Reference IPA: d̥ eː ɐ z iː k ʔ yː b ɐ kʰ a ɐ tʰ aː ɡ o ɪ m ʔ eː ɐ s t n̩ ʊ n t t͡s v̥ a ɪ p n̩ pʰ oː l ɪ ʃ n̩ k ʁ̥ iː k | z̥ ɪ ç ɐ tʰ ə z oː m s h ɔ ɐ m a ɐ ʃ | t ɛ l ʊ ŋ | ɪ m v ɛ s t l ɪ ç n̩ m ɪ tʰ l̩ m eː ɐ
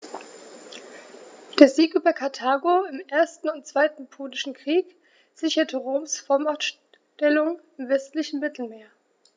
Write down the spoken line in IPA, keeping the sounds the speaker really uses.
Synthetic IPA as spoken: d̥ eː ɐ z iː k ʔ yː b ɐ kʰ a ɐ tʰ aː ɡ o ɪ m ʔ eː ɐ s t n̩ ʊ n t t͡s v̥ a ɪ t n̩ pʰ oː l ɪ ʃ n̩ k ʁ̥ iː k | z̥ ɪ ç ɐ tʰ ə ʁ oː m s f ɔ ɐ m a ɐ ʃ | t ɛ l ʊ ŋ | ɪ m v ɛ s t l ɪ ç n̩ m ɪ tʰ l̩ m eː ɐ

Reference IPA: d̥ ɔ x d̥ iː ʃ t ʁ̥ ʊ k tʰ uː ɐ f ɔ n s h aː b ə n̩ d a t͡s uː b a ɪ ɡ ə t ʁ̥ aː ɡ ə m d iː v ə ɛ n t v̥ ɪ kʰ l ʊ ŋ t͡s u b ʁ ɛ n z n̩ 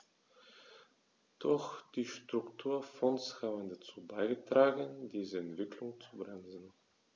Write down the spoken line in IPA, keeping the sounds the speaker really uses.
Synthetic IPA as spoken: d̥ ɔ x d̥ iː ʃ t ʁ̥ ʊ k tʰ uː ɐ f ɔ n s h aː b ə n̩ d a t͡s uː b a ɪ ɡ ə t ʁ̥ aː ɡ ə n d iː z ə ɛ n t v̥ ɪ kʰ l ʊ ŋ t͡s u b ʁ ɛ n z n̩

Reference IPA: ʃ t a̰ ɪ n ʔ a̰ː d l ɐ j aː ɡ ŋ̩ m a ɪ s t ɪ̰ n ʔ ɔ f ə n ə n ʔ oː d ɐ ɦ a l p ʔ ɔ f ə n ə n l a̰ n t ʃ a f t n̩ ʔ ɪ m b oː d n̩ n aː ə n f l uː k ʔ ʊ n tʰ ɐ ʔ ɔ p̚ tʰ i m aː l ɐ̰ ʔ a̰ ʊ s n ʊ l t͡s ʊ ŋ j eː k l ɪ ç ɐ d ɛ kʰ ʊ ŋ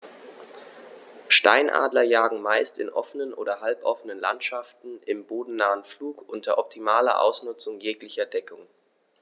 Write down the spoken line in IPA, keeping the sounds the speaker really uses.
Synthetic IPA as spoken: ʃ t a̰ ɪ n ʔ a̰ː d l ɐ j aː ɡ ŋ̩ m a ɪ s t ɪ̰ n ʔ ɔ f ə n ə n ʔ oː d ɐ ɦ a l p ʔ ɔ f ə n ə n l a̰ n t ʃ a f t n̩ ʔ ɪ m b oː d n̩ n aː ə n f l uː k ʔ ʊ n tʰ ɐ ʔ ɔ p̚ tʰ i m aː l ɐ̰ ʔ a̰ ʊ s n ʊ t͡s ʊ ŋ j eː k l ɪ ç ɐ d ɛ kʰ ʊ ŋ

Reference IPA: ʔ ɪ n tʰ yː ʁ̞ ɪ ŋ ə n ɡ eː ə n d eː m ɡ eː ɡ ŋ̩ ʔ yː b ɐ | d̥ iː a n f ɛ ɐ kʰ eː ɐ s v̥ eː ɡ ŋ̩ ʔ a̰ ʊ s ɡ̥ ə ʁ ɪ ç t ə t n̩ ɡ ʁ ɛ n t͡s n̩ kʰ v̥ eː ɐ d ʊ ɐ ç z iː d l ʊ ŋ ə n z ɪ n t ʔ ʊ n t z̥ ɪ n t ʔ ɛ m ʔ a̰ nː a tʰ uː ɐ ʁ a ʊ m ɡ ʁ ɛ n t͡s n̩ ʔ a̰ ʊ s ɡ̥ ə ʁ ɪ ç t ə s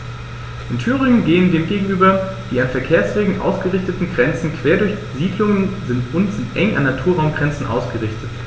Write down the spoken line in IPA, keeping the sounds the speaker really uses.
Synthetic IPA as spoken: ʔ ɪ n tʰ yː ʁ̞ ɪ ŋ ə n ɡ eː ə n d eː m ɡ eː ɡ ŋ̩ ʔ yː b ɐ | d̥ iː a n f ɛ ɐ kʰ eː ɐ s v̥ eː ɡ ŋ̩ ʔ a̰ ʊ s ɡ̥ ə ʁ ɪ ç t ə t n̩ ɡ ʁ ɛ n t͡s n̩ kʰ v̥ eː ɐ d ʊ ɐ ç z iː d l ʊ ŋ ə n z ɪ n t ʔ ʊ n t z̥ ɪ n t ʔ ɛ ŋ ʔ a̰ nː a tʰ uː ɐ ʁ a ʊ m ɡ ʁ ɛ n t͡s n̩ ʔ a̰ ʊ s ɡ̥ ə ʁ ɪ ç t ə t

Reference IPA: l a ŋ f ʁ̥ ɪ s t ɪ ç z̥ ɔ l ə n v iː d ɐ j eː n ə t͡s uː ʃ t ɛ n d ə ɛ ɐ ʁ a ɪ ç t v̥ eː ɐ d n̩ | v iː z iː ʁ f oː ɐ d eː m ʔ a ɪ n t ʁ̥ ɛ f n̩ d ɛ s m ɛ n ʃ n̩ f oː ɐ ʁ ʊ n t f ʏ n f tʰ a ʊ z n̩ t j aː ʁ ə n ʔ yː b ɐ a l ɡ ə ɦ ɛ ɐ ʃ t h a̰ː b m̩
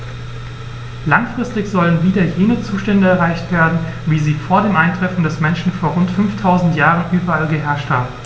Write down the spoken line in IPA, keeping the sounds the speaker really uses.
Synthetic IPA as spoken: l a ŋ f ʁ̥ ɪ s t ɪ ç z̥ ɔ l ə n v iː d ɐ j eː n ə t͡s uː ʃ t ɛ n d ə ɛ ɐ ʁ a ɪ ç t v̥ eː ɐ d n̩ | v iː z iː f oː ɐ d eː m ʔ a ɪ n t ʁ̥ ɛ f n̩ d ɛ s m ɛ n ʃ n̩ f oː ɐ ʁ ʊ n t f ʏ n f tʰ a ʊ z n̩ t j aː ʁ ə n ʔ yː b ɐ a l ɡ ə ɦ ɛ ɐ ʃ t h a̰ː b m̩

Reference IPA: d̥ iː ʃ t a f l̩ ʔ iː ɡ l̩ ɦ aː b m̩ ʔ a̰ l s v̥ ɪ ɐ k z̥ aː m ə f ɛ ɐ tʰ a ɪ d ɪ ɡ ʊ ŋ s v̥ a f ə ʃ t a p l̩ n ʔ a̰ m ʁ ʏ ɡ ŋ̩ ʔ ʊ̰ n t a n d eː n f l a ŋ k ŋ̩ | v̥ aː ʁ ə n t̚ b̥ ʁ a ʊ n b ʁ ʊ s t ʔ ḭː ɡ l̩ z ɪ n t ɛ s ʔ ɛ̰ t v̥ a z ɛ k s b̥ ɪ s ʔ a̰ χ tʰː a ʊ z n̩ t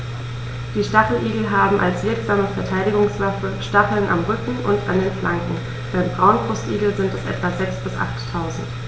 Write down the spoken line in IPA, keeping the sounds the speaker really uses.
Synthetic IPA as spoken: d̥ iː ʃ t a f l̩ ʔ iː ɡ l̩ ɦ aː b m̩ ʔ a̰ l s v̥ ɪ ɐ k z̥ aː m ə f ɛ ɐ tʰ a ɪ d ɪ ɡ ʊ ŋ s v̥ a f ə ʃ t a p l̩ n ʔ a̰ m ʁ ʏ k ŋ̩ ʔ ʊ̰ n t a n d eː n f l a ŋ k ŋ̩ | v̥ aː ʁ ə n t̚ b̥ ʁ a ʊ n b ʁ ʊ s t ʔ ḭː ɡ l̩ z ɪ n t ɛ s ʔ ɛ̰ t v̥ a z ɛ k s b̥ ɪ s ʔ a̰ χ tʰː a ʊ z n̩ t

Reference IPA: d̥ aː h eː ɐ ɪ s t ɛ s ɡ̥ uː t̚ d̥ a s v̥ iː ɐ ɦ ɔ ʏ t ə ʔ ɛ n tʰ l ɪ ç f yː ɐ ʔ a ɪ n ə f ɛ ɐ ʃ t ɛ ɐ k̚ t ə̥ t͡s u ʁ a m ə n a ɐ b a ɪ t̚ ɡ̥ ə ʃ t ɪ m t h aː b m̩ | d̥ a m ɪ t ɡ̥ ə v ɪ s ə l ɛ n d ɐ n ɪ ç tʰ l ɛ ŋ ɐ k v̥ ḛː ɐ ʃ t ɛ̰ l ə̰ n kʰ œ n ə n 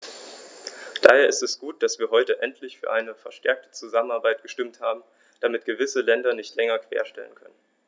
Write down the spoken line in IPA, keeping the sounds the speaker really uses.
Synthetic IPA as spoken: d̥ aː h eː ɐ ɪ s t ɛ s ɡ̥ uː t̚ d̥ a s v̥ iː ɐ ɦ ɔ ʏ t ə ʔ ɛ n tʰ l ɪ ç f yː ɐ ʔ a ɪ n ə f ɛ ɐ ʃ t ɛ ɐ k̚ t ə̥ t͡s u z a m ə n a ɐ b a ɪ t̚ ɡ̥ ə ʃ t ɪ m t h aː b m̩ | d̥ a m ɪ t ɡ̥ ə v ɪ s ə l ɛ n d ɐ n ɪ ç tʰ l ɛ ŋ ɐ k v̥ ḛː ɐ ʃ t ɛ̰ l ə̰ n kʰ œ n ə n

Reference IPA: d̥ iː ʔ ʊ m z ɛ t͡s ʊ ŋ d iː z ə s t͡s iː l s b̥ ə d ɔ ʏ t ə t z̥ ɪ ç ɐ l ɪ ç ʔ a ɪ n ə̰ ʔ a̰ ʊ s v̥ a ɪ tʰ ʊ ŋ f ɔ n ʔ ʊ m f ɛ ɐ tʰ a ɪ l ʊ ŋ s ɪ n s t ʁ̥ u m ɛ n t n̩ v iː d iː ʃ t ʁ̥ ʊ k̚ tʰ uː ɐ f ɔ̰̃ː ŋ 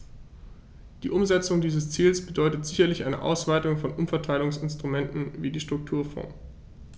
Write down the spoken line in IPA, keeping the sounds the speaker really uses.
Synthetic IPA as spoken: d̥ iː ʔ ʊ m z ɛ t͡s ʊ ŋ d iː z ə s t͡s iː l s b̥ ə d ɔ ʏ t ə t z̥ ɪ ç ɐ l ɪ ç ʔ a ɪ n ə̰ ʔ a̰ ʊ s v̥ a ɪ t ʊ ŋ f ɔ n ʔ ʊ m f ɛ ɐ tʰ a ɪ l ʊ ŋ s ɪ n s t ʁ̥ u m ɛ n t n̩ v iː d iː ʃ t ʁ̥ ʊ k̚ tʰ uː ɐ f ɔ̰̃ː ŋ

